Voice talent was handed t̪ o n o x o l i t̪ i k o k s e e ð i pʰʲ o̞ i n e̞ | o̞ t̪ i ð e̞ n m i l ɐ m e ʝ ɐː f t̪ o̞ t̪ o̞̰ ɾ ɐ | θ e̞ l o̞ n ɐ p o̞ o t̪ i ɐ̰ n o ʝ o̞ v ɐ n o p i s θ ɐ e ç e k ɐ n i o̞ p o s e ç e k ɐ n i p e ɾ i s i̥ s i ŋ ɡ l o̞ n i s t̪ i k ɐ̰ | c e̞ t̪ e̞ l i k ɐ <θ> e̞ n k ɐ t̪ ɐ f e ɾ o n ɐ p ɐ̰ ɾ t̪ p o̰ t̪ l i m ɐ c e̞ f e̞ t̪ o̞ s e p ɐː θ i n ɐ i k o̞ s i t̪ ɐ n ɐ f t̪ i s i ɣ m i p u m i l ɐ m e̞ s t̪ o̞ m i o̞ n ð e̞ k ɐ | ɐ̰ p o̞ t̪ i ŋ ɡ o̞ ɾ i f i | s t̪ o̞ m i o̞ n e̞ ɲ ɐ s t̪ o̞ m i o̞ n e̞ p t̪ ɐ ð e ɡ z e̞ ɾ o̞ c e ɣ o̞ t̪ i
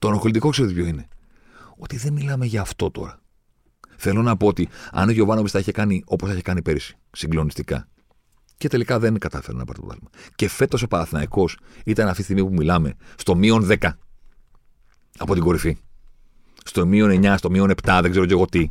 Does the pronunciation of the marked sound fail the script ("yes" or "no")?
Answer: yes